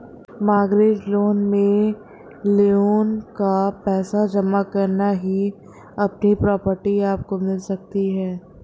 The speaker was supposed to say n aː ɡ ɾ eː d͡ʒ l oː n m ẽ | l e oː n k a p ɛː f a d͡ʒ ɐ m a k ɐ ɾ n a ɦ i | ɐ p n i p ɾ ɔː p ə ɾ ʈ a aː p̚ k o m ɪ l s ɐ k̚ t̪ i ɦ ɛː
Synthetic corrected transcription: m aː ɡ ɾ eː d͡ʒ l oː n m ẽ | l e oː n k a p ɛː s a d͡ʒ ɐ m a k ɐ ɾ n a ɦ i | ɐ p n i p ɾ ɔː p ə ɾ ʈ i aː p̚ k o m ɪ l s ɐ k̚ t̪ i ɦ ɛː

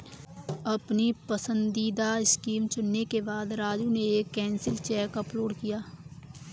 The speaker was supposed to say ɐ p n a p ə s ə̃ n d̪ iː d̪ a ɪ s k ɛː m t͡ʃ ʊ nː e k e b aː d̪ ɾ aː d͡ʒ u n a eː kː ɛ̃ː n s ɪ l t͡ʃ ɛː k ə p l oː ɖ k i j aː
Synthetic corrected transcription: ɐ p n i p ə s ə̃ n d̪ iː d̪ a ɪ s k iː m t͡ʃ ʊ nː e k e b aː d̪ ɾ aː d͡ʒ u n e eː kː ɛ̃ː n s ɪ l t͡ʃ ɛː k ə p l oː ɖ k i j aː

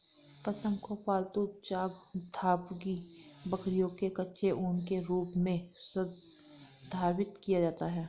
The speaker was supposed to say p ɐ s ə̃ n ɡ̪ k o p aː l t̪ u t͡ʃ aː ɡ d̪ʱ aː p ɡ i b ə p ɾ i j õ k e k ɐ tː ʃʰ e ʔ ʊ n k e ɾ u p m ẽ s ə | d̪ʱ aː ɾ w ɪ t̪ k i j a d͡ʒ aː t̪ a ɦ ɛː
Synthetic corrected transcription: p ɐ s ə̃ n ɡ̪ k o p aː l t̪ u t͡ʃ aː ɡ d̪ʱ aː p ɡ i b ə k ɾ i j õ k e k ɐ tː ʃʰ e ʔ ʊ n k e ɾ uː p m ẽ s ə | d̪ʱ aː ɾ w ɪ t̪ k i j a d͡ʒ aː t̪ a ɦ ɛː

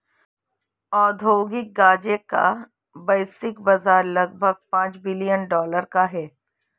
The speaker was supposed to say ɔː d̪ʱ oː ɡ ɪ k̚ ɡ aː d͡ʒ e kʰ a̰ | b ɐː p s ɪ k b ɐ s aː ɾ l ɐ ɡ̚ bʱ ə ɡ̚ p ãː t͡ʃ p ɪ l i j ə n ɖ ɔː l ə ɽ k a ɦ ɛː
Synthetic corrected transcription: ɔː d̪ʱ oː ɡ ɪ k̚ ɡ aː d͡ʒ e k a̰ | b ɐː s ɪ k b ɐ z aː ɾ l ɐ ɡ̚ bʱ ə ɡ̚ p ãː t͡ʃ b ɪ l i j ə n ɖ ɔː l ə ɾ k a ɦ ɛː

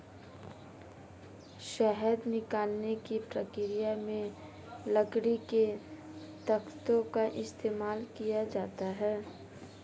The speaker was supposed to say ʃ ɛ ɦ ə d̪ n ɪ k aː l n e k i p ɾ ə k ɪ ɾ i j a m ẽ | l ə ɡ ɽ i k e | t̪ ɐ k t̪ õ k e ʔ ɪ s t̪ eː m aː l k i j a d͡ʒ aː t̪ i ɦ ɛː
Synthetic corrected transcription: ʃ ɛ ɦ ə d̪ n ɪ k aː l n e k i p ɾ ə k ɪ ɾ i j a m ẽ | l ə ɡ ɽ i k e | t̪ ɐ k t̪ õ k a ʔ ɪ s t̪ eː m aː l k i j a d͡ʒ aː t̪ a ɦ ɛː

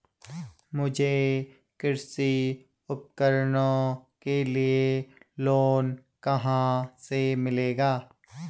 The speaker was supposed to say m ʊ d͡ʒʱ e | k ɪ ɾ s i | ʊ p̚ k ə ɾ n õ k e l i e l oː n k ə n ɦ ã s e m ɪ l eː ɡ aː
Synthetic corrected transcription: m ʊ d͡ʒʱ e | k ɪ ɾ s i | ʊ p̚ k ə ɾ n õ k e l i e l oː n k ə ɦ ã s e m ɪ l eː ɡ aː

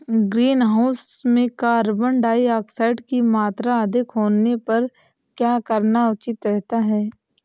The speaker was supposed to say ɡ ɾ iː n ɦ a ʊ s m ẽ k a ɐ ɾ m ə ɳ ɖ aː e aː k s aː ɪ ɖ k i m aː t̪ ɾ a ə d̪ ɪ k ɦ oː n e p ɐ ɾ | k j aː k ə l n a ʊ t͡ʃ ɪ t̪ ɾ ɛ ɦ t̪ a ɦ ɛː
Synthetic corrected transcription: ɡ ɾ iː n ɦ a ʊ s m ẽ k a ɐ ɾ b ə ɳ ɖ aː i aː k s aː ɪ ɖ k i m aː t̪ ɾ a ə d̪ ɪ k ɦ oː n e p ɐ ɾ | k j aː k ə ɾ n a ʊ t͡ʃ ɪ t̪ ɾ ɛ ɦ t̪ a ɦ ɛː

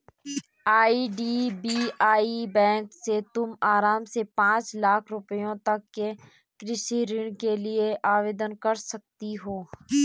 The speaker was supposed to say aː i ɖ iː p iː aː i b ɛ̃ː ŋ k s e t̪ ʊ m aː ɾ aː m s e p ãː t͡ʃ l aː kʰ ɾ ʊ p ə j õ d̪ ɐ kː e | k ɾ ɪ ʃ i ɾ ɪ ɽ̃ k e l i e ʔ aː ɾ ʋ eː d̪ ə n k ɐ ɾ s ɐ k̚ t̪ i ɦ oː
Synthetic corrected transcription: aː i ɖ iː b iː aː i b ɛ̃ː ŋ k s e t̪ ʊ m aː ɾ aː m s e p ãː t͡ʃ l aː kʰ ɾ ʊ p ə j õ t̪ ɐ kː e | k ɾ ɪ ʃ i ɾ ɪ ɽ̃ k e l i e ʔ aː ʋ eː d̪ ə n k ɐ ɾ s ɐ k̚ t̪ i ɦ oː

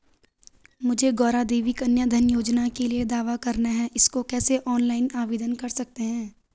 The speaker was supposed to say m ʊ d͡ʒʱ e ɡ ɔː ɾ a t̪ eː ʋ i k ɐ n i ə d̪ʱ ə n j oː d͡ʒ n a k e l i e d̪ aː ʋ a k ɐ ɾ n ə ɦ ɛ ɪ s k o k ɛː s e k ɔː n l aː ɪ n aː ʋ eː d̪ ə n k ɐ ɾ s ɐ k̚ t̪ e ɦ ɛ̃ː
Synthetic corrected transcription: m ʊ d͡ʒʱ e ɡ ɔː ɾ a d̪ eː ʋ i k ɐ n j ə d̪ʱ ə n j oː d͡ʒ n a k e l i e d̪ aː ʋ a k ɐ ɾ n a ɦ ɛ ɪ s k o k ɛː s e ʔ ɔː n l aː ɪ n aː ʋ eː d̪ ə n k ɐ ɾ s ɐ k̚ t̪ e ɦ ɛ̃ː

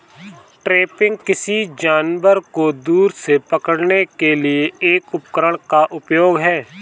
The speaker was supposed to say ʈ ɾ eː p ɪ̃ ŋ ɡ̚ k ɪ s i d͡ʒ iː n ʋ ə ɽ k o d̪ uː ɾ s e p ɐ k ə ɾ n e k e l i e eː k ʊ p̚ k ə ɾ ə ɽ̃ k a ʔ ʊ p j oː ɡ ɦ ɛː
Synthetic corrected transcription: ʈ ɾ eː p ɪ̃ ŋ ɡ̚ k ɪ s i d͡ʒ aː n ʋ ə ɾ k o d̪ uː ɾ s e p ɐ k ə ɽ n e k e l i e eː k ʊ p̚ k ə ɾ ə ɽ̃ k a ʔ ʊ p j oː ɡ ɦ ɛː

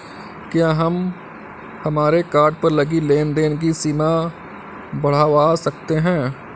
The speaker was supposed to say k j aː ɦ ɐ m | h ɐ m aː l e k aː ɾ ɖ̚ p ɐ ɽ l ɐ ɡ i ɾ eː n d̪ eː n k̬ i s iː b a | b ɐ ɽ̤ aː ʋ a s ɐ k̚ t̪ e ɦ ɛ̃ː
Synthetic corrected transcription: k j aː ɦ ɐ m | h ɐ m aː ɾ e k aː ɾ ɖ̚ p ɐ ɾ l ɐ ɡ i l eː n d̪ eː n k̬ i s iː m a | b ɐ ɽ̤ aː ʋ a s ɐ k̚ t̪ e ɦ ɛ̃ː

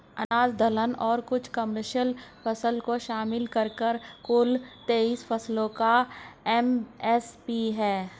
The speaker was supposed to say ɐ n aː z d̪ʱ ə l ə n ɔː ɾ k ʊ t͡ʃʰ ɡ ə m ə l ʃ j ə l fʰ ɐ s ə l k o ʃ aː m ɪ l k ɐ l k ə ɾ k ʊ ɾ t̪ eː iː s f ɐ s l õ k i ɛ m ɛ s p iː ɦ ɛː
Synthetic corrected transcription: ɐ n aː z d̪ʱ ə l ə n ɔː ɾ k ʊ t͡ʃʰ k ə m ə ɾ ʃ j ə l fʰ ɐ s ə l k o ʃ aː m ɪ l k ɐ ɾ k ə ɾ k ʊ l t̪ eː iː s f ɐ s l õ k a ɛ m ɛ s p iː ɦ ɛː

